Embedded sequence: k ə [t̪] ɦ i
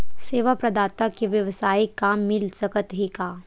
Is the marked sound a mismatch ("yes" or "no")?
no